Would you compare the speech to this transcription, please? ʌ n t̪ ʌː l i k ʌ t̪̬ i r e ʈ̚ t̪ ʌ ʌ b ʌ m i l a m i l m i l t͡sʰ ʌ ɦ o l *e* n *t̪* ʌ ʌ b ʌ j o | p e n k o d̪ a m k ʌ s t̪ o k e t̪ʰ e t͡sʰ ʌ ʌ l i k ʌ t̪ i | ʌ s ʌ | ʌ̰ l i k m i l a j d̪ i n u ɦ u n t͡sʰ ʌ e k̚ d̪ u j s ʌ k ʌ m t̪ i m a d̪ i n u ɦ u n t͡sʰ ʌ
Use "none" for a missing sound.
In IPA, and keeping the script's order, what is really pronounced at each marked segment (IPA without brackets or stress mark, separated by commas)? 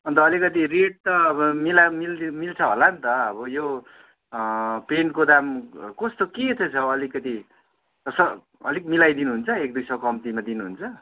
a, t̪